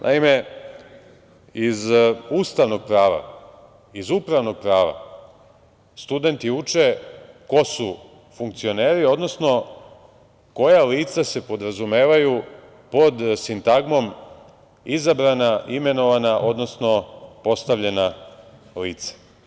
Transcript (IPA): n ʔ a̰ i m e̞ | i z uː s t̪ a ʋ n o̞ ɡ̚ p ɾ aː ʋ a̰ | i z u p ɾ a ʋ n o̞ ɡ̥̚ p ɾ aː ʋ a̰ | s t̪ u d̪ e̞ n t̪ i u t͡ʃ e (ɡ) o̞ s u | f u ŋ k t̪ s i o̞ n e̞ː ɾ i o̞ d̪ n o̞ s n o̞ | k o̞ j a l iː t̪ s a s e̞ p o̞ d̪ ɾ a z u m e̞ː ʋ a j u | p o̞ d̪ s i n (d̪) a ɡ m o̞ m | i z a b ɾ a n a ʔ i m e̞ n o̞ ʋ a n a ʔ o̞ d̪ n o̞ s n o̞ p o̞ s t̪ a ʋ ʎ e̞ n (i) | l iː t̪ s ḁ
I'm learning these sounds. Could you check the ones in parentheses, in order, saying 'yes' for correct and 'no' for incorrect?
no, no, no

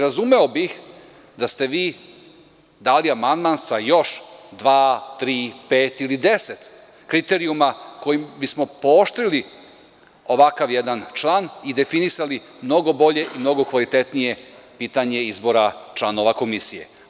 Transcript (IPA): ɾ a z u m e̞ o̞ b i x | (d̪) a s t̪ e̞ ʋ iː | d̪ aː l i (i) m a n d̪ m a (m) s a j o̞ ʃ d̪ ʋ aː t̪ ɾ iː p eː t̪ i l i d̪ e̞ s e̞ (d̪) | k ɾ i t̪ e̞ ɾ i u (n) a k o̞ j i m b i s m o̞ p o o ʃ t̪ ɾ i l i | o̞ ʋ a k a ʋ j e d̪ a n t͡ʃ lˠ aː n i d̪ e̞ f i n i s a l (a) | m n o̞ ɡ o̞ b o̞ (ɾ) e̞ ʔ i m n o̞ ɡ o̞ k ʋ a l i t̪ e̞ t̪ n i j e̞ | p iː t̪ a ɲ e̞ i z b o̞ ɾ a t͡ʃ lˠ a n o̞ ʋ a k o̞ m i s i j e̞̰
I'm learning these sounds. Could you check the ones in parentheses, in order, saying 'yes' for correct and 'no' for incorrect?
yes, no, no, no, no, no, no

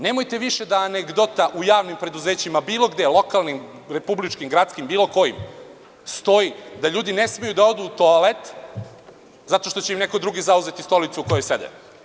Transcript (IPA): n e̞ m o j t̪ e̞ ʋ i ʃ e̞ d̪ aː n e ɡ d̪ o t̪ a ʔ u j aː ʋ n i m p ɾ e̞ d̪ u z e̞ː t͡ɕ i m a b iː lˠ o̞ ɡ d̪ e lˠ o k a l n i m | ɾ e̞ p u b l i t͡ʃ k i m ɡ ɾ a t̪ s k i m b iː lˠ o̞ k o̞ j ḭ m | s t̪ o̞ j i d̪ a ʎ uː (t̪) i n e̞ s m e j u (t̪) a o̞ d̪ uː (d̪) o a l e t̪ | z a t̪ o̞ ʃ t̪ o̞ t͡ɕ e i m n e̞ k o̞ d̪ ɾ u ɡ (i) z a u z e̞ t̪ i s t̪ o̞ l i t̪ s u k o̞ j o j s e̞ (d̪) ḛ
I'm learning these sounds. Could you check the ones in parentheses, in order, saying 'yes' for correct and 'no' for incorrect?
no, no, no, yes, yes

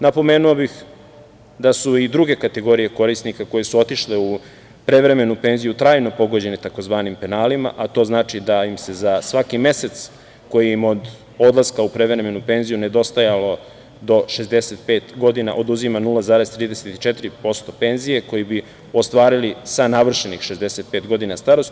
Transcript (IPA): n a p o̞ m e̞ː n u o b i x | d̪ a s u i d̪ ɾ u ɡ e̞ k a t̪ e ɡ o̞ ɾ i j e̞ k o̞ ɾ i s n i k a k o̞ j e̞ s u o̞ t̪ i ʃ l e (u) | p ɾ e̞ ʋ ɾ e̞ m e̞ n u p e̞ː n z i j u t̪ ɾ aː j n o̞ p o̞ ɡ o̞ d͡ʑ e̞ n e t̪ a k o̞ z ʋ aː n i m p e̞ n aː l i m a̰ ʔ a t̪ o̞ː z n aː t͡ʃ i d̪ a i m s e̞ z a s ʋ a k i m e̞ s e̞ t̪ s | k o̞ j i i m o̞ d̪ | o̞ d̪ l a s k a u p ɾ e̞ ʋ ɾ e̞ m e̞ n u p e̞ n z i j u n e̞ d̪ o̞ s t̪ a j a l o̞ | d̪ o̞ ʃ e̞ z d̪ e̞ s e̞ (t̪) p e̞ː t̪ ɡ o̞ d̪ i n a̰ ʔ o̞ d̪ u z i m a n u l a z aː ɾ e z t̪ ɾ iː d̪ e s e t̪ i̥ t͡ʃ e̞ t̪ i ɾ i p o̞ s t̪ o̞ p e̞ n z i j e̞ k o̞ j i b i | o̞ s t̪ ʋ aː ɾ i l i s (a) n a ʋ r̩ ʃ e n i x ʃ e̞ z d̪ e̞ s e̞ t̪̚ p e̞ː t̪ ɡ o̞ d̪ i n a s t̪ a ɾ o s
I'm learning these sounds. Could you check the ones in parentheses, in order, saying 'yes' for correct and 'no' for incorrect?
yes, yes, yes

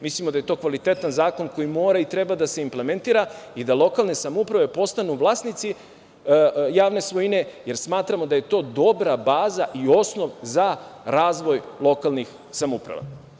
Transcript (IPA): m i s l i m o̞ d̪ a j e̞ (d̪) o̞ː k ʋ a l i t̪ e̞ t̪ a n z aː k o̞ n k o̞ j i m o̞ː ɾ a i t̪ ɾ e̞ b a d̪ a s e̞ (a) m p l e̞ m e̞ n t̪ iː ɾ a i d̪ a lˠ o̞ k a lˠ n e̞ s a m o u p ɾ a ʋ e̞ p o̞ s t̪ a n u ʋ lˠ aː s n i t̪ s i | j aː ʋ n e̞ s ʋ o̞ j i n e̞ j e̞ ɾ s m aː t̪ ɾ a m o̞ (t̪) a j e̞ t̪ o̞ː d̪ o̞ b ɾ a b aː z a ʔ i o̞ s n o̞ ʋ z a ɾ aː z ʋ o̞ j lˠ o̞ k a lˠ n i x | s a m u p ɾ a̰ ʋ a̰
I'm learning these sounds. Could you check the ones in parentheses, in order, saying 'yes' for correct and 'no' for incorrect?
no, no, no

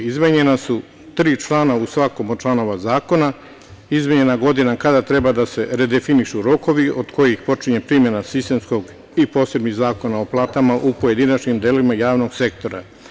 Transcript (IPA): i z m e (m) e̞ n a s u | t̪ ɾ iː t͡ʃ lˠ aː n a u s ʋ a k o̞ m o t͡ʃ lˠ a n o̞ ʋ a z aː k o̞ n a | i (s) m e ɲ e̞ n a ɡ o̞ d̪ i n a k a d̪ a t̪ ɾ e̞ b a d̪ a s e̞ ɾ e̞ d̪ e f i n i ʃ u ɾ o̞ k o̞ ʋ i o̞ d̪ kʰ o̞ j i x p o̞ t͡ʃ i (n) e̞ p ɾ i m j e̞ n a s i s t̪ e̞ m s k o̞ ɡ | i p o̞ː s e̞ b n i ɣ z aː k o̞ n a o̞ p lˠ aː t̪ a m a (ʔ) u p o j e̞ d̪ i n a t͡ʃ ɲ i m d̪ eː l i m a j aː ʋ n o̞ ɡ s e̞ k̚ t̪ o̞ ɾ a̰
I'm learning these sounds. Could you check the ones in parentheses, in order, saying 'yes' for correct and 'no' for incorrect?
no, no, no, yes

